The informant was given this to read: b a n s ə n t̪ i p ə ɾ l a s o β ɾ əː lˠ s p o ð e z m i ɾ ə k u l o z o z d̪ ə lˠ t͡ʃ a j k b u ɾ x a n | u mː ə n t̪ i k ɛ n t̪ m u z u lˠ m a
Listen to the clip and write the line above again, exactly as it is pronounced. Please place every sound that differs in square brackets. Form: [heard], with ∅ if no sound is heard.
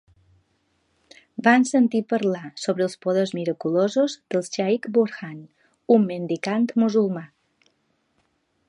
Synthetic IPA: b a n s ə n t̪ i p ə ɾ l a s o β ɾ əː lˠ s p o ð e z m i ɾ ə k u l o z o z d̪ ə lˠ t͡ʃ a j k b u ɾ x a n | u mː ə n [d̪] i k [a] n t̪ m u z u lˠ m a